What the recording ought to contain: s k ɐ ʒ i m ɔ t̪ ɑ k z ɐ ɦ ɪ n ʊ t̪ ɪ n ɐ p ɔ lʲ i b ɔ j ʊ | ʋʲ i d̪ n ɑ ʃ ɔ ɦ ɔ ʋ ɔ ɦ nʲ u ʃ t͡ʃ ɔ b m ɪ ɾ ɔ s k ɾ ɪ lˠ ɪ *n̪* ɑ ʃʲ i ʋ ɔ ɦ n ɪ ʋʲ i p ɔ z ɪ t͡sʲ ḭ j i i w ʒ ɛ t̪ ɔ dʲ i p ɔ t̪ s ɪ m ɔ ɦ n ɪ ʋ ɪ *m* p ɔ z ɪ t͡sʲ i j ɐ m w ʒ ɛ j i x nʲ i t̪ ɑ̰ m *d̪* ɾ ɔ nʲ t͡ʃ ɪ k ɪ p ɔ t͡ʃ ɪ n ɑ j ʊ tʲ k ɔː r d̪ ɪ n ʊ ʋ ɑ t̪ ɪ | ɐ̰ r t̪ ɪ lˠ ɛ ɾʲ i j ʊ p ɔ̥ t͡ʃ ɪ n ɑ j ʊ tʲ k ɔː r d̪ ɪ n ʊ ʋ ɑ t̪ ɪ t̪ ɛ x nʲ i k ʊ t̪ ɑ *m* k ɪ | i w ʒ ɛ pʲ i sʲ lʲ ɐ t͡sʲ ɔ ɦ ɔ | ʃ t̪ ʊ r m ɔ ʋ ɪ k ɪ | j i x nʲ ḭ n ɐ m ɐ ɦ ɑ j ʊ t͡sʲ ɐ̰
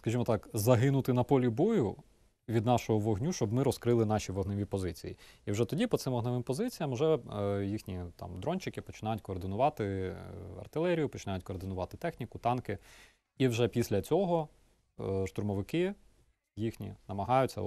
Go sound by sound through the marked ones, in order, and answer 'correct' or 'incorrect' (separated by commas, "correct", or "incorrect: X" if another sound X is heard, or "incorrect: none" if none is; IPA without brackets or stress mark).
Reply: correct, correct, correct, incorrect: n